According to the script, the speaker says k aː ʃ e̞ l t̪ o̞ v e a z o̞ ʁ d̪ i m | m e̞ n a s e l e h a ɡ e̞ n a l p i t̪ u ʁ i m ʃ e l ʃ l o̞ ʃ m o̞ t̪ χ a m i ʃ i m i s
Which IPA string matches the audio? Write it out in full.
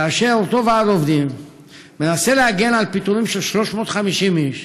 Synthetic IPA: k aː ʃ e̞ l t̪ o̞ v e a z o̞ v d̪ i m | m e̞ n a s e l e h a ɡ e̞ n a l p i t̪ u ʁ i m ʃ e l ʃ l o̞ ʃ m o̞ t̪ χ a m i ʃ i m i ʃ

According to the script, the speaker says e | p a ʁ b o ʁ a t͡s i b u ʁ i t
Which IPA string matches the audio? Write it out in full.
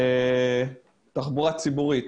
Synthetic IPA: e | t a χ b u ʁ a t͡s i b u ʁ i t

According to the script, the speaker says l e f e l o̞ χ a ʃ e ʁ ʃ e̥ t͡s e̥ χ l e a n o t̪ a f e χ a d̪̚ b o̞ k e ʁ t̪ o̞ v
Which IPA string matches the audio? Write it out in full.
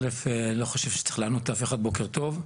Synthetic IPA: l e f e l o̞ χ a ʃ e v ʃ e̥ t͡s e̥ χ l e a n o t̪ a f e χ a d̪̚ b o̞ k e ʁ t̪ o̞ v

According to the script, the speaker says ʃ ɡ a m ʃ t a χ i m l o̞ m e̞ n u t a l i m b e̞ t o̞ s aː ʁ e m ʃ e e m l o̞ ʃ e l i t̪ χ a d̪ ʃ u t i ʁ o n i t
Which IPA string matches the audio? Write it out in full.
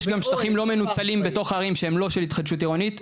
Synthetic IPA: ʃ ɡ a m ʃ t a χ i m l o̞ m e̞ n u t͡s a l i m b e̞ t o̞ χ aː ʁ i m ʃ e e m l o̞ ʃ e l i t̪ χ a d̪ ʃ u t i ʁ o n i t

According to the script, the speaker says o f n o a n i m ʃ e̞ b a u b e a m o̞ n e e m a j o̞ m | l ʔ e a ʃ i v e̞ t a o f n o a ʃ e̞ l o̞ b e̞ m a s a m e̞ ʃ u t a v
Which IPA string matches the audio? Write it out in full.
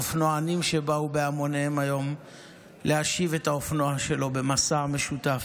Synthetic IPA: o f n o a n i m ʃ e̞ b a u b e a m o̞ n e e m a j o̞ m | l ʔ e a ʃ i v e̞ t a o f n o a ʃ e̞ l o̞ b e̞ m a s a m e̞ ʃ u t a f

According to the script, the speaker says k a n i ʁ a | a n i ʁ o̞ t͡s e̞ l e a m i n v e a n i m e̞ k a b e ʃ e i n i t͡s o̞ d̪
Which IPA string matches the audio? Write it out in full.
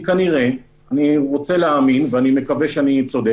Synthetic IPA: k a n i ʁ e | a n i ʁ o̞ t͡s e̞ l e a m i n v e a n i m e̞ k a v e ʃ e a n i t͡s o̞ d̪

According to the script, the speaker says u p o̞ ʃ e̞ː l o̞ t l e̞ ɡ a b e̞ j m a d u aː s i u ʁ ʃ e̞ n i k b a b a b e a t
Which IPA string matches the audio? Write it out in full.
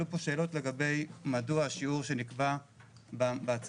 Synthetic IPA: u p o̞ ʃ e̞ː l o̞ t l e̞ ɡ a b e̞ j m a d u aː ʃ i u ʁ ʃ e̞ n i k b a b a b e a t͡s

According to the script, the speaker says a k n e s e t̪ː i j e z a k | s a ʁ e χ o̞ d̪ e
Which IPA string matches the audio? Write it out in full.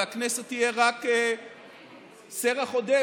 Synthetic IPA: a k n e s e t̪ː i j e ʁ a k | s e ʁ a χ o̞ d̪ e

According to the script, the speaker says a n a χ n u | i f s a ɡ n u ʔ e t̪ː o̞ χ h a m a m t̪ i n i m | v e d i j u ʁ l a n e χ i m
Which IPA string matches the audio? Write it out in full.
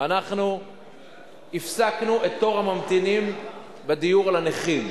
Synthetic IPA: a n a χ n u | i f s a k n u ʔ e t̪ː o̞ ʁ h a m a m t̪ i n i m | b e d i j u ʁ l a n e χ i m

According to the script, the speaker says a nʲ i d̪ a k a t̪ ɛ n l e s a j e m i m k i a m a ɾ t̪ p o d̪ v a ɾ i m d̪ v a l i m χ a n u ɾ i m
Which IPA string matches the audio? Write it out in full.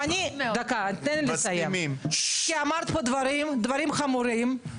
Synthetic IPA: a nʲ i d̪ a k a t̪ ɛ n l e s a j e m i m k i a m a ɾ t̪ p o d̪ v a ɾ i m d̪ v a ɾ i m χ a m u ɾ i m

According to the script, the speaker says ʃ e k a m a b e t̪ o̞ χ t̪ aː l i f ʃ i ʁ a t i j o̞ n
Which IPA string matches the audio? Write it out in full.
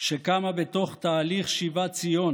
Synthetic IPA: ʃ e k a m a b e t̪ o̞ χ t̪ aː l i χ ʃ i v a t͡s i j o̞ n

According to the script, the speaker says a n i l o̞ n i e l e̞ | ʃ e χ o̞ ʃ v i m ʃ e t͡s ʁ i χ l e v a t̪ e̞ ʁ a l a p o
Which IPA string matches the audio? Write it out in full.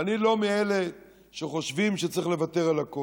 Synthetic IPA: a n i l o̞ m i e l e̞ | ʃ e χ o̞ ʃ v i m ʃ e t͡s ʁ i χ l e v a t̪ e̞ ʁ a l a k o

